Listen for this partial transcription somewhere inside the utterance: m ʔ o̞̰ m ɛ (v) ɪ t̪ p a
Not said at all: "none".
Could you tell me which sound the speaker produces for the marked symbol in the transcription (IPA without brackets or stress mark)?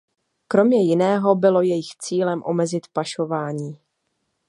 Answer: z